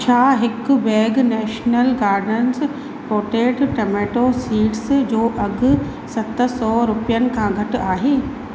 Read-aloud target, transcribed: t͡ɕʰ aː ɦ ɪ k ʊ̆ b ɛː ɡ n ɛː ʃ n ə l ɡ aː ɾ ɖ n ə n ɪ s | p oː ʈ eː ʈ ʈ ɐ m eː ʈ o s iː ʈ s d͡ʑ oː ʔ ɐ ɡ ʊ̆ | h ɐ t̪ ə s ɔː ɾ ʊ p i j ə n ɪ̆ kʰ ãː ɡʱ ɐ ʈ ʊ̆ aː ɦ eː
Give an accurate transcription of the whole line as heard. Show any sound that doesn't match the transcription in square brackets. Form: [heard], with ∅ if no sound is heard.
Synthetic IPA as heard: t͡ɕʰ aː ɦ ɪ k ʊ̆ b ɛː ɡ n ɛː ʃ n ə l ɡ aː ɾ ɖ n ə n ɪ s | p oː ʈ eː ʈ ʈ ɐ m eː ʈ o s iː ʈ s d͡ʑ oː ʔ ɐ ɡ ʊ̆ | [s] ɐ t̪ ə s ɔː ɾ ʊ p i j ə n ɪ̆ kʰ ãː ɡʱ ɐ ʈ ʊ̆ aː ɦ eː